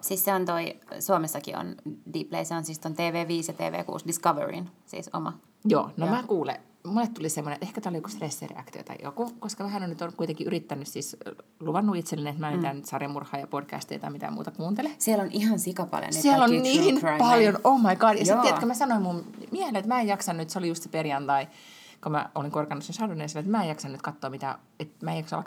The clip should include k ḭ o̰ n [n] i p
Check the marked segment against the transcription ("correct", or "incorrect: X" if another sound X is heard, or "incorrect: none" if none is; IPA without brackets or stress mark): incorrect: d